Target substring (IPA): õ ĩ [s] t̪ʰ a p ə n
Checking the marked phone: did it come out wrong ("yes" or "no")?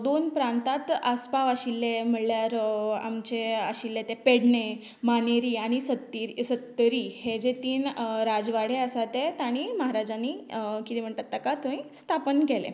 no